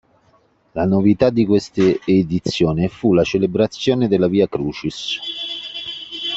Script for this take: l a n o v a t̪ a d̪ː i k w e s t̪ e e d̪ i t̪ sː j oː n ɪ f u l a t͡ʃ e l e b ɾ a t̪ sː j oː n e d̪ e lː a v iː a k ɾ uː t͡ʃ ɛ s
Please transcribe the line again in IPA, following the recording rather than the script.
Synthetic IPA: l a n o v i t̪ a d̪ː i k w e s t̪ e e d̪ i t̪ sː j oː n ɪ f u l a t͡ʃ e l e b ɾ a t̪ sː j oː n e d̪ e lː a v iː a k ɾ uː t͡ʃ i s